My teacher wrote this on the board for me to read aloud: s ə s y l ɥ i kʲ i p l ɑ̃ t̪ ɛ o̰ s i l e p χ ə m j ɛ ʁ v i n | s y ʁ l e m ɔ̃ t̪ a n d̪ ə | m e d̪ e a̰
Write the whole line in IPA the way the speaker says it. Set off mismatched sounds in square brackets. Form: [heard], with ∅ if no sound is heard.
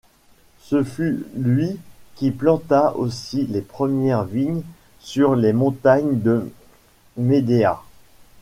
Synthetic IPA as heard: s ə [f] y l ɥ i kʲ i p l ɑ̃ t̪ [a] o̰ s i l e p χ ə m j ɛ ʁ v i [ɲ] | s y ʁ l e m ɔ̃ t̪ a [ɲ] d̪ ə | m e d̪ e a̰